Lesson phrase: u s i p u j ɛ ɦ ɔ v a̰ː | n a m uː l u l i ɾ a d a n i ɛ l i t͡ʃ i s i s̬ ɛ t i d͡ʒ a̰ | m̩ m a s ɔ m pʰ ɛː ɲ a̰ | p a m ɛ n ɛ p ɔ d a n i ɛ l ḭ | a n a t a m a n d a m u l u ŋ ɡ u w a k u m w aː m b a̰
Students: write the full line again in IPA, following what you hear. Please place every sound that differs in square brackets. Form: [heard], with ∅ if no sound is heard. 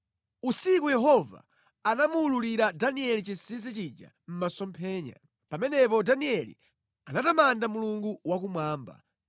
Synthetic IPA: u s i [k] u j ɛ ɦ ɔ v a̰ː | n a m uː l u l i ɾ a d a n i ɛ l i t͡ʃ i s i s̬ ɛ [t͡ʃ] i d͡ʒ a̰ | m̩ m a s ɔ m pʰ ɛː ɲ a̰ | p a m ɛ n ɛ p ɔ d a n i ɛ l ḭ | a n a t a m a n d a m u l u ŋ ɡ u w a k u m w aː m b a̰

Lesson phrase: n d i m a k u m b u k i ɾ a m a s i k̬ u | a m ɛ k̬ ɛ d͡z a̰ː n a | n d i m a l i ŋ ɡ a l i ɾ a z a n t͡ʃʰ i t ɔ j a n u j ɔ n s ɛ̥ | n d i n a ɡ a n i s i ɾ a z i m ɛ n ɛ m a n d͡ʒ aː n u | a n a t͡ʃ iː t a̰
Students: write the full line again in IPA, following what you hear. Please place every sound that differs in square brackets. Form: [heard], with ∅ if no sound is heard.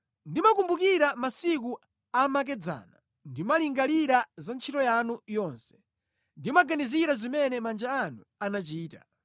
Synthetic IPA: n d i m a k u m b u k i ɾ a m a s i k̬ u | a m [a] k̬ ɛ d͡z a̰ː n a | n d i m a l i ŋ ɡ a l i ɾ a z a n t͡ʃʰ i t ɔ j a n u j ɔ n s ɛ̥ | n d i [m] a ɡ a n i [z] i ɾ a z i m ɛ n ɛ m a n d͡ʒ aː n u | a n a t͡ʃ iː t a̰

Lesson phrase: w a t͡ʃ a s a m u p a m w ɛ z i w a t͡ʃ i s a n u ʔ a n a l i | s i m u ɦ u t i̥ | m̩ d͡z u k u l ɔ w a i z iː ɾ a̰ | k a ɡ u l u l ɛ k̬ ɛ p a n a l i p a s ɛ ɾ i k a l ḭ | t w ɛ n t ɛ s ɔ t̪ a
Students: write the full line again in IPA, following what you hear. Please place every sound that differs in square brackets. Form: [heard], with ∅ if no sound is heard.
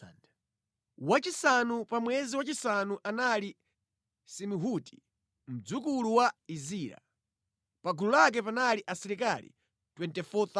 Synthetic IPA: w a t͡ʃ [i] s a [n] u p a m w ɛ z i w a t͡ʃ i s a n u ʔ a n a l i | s i m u ɦ u t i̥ | m̩ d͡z u k u l [u] w a i z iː ɾ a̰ | [p] a ɡ u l u l [a] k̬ ɛ p a n a l i [ʔ] a s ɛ ɾ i k a l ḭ | t w ɛ n t ɛ [f] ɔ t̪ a

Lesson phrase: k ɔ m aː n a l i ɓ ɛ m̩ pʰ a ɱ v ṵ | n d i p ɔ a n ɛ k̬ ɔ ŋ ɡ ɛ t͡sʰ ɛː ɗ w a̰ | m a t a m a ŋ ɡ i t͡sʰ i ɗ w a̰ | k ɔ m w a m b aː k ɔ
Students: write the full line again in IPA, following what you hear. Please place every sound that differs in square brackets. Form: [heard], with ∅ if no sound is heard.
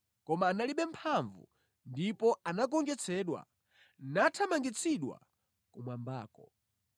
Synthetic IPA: k ɔ m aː n a l i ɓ ɛ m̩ pʰ a ɱ v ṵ | n d i p ɔ a n [a] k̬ ɔ ŋ ɡ ɛ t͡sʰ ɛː ɗ w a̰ | [n] a [tʰ] a m a ŋ ɡ i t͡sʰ i ɗ w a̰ | k [u] m w a m b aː k ɔ

